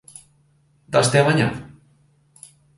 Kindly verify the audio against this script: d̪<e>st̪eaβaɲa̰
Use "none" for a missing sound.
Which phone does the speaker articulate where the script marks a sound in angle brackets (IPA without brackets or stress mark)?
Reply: a